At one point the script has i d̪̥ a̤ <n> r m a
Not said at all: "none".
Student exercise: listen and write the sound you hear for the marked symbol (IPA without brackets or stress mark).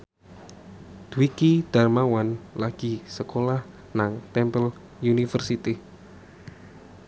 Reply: none